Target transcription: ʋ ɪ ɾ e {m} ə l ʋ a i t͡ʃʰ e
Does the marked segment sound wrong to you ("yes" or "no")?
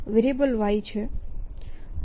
yes